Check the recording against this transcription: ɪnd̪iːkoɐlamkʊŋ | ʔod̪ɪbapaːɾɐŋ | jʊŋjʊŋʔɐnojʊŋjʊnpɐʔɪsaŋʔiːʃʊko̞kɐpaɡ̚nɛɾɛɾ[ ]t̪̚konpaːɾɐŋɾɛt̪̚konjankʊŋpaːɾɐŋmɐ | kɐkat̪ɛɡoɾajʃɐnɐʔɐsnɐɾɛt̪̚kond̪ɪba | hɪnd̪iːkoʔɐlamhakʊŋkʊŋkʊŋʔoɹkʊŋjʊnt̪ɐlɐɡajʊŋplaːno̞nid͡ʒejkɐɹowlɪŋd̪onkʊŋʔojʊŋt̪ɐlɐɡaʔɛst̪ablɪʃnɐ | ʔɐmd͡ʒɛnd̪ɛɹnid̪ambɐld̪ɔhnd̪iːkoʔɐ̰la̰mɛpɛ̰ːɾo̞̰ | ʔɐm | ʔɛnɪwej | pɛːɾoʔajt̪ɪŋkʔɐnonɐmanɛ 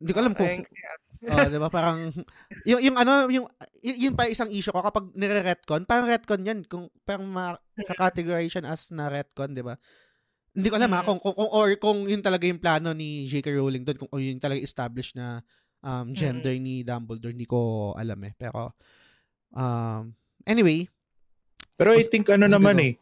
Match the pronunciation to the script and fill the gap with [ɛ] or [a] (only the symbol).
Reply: ɛ